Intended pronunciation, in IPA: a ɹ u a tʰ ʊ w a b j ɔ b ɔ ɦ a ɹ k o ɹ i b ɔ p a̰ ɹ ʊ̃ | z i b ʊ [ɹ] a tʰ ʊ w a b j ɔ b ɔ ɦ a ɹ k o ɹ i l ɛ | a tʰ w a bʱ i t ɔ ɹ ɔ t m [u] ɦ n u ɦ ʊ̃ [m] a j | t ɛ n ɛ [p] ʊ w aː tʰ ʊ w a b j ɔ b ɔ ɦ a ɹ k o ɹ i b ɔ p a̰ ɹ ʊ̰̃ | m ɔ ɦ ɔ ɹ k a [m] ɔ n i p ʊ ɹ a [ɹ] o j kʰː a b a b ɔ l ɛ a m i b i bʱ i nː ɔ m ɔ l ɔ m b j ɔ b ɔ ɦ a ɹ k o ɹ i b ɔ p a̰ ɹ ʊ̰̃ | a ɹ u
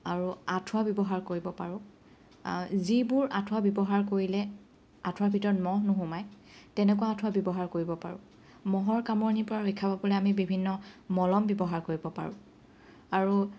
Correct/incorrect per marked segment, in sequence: correct, incorrect, correct, incorrect, correct, correct

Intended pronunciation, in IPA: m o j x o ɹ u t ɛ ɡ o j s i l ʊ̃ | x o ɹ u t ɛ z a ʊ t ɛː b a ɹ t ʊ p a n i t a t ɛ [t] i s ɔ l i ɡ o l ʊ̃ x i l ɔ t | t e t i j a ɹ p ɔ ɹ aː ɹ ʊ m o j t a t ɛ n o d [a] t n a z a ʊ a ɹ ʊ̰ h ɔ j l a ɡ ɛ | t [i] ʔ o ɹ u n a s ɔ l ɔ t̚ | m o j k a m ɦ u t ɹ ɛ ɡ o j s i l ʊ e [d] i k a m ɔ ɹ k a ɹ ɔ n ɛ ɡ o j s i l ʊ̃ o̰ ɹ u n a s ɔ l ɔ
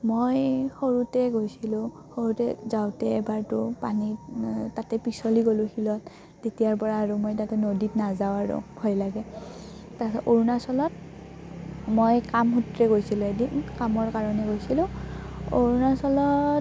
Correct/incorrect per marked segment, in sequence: incorrect, incorrect, incorrect, correct

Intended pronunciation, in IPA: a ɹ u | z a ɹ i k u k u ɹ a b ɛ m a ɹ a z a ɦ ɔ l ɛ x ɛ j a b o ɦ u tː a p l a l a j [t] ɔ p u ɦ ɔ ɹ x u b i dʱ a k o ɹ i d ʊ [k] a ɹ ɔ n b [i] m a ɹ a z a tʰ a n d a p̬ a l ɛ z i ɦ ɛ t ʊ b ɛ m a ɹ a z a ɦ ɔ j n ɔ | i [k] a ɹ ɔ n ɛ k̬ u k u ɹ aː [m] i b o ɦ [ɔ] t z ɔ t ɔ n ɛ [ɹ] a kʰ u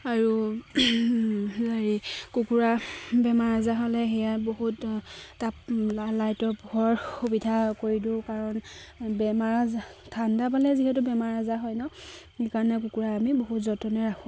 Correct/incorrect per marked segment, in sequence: correct, correct, incorrect, correct, correct, incorrect, correct

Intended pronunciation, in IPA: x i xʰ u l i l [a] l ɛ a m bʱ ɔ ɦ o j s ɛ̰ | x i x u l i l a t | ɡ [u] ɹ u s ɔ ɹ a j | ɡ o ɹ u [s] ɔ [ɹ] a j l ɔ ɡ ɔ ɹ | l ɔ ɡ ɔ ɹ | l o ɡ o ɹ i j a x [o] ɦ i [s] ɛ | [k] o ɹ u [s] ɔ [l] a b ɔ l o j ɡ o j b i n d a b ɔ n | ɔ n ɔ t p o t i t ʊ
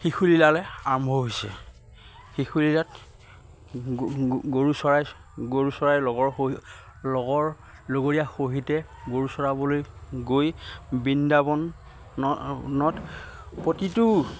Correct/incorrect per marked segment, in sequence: correct, incorrect, correct, correct, correct, incorrect, incorrect, correct, incorrect

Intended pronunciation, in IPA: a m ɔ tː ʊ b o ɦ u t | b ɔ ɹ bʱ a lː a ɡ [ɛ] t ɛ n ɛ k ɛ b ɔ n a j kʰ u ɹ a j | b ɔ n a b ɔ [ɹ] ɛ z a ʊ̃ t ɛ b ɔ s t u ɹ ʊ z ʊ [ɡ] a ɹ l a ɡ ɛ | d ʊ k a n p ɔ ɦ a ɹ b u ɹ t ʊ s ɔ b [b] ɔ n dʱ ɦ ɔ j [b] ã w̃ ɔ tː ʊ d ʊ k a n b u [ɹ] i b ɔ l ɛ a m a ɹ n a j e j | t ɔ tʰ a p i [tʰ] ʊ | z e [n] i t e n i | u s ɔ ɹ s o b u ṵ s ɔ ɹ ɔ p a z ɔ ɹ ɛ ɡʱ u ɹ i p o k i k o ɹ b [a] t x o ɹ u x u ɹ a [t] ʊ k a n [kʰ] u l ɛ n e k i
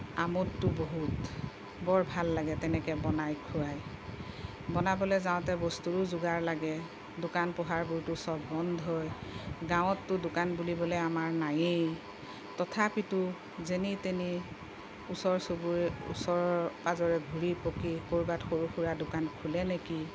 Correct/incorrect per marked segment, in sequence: correct, incorrect, correct, correct, incorrect, incorrect, incorrect, correct, correct, incorrect, correct

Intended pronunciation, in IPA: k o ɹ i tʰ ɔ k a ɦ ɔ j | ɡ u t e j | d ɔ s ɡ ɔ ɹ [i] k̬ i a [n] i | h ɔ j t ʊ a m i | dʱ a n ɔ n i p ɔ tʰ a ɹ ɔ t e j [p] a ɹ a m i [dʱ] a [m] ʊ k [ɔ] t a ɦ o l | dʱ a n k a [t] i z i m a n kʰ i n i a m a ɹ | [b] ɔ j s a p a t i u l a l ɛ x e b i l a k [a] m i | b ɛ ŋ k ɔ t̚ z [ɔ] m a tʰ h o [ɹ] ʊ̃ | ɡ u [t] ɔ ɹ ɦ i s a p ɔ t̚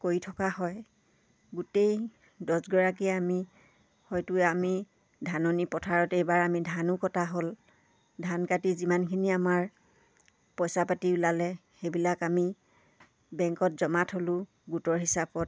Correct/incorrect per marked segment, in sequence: incorrect, incorrect, incorrect, correct, incorrect, correct, correct, incorrect, correct, correct, incorrect, correct

